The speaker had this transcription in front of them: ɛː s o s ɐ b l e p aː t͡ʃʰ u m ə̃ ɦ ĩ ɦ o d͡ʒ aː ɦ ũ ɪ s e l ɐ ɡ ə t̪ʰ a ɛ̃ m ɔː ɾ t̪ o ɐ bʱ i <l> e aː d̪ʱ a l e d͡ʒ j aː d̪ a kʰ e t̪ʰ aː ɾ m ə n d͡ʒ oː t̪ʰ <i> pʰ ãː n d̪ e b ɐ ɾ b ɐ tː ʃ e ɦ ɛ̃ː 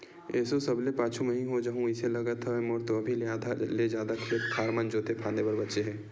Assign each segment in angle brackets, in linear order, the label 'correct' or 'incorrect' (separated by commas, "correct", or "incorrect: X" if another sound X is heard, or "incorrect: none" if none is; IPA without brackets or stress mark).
correct, incorrect: e